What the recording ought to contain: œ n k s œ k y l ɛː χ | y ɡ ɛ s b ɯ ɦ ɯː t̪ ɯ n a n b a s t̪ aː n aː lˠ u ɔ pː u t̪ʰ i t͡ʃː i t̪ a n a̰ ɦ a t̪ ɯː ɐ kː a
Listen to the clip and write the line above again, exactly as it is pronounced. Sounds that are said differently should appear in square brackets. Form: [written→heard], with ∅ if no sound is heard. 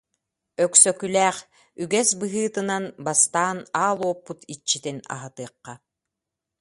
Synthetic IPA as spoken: œ [n→∅] k s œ k y l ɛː χ | y ɡ ɛ s b ɯ ɦ ɯː t̪ ɯ n a n b a s t̪ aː n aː lˠ u ɔ pː u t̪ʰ i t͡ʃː i t̪ [a→i] n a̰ ɦ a t̪ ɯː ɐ [kː→qː] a